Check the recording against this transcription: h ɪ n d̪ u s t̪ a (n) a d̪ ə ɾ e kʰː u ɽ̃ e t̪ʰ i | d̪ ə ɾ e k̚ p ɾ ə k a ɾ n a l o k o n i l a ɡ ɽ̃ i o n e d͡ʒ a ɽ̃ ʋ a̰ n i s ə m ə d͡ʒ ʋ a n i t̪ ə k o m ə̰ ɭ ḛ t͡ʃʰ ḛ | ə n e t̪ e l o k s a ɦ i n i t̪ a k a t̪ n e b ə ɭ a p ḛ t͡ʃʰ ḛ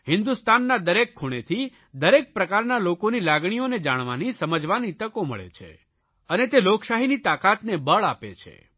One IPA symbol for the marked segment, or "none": nː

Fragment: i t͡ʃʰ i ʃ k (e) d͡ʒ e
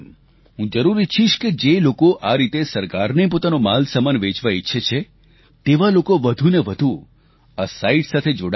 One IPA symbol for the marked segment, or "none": e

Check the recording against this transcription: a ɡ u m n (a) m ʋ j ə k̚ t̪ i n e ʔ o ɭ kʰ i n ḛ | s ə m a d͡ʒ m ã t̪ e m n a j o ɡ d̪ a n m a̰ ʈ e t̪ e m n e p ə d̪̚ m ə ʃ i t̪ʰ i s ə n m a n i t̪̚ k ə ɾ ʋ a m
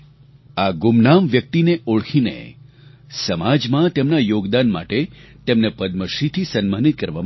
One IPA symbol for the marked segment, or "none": a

